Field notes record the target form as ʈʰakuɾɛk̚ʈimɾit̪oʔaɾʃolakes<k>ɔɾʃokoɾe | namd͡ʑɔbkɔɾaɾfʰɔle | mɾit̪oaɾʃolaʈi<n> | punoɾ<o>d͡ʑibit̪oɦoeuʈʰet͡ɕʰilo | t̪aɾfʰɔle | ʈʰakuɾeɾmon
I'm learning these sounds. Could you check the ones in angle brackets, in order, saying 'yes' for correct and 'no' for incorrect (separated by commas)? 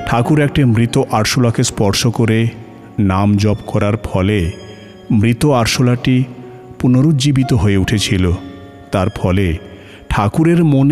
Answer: no, no, no